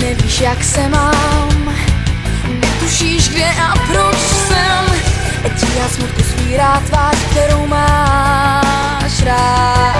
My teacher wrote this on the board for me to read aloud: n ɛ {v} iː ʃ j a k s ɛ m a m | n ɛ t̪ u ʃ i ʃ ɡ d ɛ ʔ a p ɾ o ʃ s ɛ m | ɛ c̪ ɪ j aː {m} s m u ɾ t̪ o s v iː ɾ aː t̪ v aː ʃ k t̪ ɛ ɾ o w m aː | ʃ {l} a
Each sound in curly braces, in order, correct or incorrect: correct, incorrect, incorrect

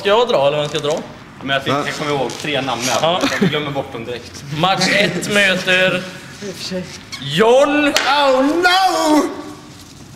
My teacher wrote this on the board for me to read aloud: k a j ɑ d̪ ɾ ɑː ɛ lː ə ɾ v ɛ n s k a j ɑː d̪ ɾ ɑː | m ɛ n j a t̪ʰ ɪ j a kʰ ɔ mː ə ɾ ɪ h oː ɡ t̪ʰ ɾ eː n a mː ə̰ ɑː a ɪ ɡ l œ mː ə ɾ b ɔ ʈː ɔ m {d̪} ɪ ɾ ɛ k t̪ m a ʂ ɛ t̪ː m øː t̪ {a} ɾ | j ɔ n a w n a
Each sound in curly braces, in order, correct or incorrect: correct, incorrect

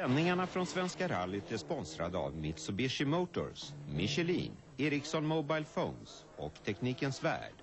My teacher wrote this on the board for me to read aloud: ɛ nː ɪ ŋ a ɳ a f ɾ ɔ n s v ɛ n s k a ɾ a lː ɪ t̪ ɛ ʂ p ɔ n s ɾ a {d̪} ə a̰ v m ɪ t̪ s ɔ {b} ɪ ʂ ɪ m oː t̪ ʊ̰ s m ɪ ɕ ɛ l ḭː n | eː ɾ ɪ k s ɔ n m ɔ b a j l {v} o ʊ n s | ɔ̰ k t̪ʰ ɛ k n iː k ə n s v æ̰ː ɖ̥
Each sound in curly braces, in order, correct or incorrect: correct, correct, incorrect

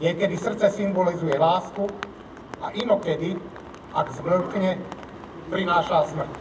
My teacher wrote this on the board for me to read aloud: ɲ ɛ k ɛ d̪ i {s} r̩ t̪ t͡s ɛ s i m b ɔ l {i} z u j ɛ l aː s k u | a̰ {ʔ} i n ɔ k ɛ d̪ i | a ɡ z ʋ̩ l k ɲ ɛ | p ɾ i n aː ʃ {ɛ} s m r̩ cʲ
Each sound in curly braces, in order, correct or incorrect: correct, correct, correct, incorrect

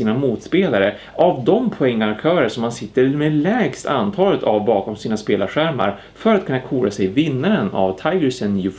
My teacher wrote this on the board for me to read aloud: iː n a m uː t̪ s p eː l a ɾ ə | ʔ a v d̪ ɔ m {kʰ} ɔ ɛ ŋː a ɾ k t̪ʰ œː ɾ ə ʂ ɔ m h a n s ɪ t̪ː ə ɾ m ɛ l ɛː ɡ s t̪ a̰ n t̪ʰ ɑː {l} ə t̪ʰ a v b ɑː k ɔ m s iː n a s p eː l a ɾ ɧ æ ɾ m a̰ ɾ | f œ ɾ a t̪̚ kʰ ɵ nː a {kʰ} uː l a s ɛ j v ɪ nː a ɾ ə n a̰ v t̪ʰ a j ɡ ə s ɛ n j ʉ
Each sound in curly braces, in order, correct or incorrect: incorrect, correct, correct

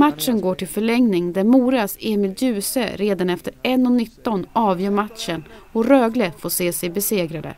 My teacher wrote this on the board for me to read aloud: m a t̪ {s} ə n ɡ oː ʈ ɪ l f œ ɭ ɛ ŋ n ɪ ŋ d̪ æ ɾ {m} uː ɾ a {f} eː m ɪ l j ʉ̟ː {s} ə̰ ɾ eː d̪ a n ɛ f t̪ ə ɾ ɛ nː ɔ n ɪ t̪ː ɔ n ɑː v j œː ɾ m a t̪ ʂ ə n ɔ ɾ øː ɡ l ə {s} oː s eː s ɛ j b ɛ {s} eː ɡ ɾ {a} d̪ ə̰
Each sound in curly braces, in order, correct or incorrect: incorrect, correct, incorrect, correct, incorrect, correct, correct

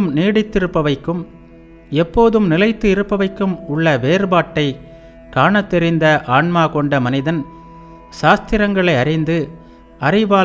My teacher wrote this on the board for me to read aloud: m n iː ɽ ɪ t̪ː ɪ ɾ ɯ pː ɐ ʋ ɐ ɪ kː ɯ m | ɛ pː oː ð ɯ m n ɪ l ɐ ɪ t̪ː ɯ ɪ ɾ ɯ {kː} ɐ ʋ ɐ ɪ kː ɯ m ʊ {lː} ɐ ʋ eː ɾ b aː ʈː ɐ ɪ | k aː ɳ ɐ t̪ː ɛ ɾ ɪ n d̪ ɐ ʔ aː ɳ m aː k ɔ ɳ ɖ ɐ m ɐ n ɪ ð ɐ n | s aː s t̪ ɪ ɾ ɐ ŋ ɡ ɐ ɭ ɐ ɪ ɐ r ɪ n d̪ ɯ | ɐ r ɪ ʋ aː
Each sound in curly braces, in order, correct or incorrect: incorrect, incorrect

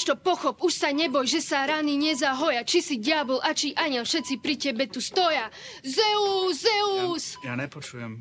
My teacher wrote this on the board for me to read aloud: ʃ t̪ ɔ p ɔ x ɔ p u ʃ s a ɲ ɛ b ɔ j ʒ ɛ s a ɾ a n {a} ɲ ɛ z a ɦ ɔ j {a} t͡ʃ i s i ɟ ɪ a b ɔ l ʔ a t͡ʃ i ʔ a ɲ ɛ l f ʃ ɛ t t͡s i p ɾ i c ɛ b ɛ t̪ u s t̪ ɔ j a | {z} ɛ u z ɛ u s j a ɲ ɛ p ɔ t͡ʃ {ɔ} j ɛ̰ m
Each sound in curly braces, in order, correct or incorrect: incorrect, correct, correct, incorrect

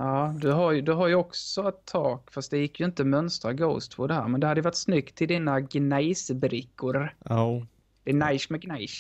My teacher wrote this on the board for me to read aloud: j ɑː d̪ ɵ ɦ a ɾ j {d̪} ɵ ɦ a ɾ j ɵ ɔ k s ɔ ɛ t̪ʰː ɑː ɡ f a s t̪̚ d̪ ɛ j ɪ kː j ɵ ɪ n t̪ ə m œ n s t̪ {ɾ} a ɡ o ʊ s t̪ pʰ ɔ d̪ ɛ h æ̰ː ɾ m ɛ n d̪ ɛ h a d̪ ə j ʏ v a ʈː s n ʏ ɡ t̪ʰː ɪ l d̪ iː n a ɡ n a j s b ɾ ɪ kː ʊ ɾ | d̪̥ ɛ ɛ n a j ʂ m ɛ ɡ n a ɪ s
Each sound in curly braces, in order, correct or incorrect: correct, correct

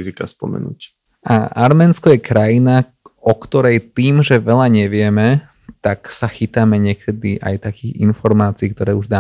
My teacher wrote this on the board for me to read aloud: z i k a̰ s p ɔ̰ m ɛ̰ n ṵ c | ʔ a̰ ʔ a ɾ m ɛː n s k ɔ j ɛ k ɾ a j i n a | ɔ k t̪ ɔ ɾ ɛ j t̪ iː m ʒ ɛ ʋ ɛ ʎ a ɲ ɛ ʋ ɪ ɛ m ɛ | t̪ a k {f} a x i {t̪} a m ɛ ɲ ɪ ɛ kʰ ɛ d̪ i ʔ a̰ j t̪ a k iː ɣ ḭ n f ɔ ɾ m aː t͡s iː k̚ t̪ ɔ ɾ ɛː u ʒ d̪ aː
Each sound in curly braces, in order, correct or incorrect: incorrect, correct

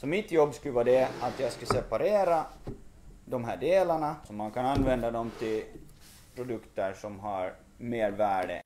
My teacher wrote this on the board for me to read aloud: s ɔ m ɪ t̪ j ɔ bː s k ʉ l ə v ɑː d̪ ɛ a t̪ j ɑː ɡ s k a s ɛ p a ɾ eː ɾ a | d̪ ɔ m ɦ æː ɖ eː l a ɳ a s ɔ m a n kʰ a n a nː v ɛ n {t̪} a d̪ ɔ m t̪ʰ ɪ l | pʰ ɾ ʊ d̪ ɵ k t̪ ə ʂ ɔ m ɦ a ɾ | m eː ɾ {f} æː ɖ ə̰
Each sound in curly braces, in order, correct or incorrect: incorrect, incorrect

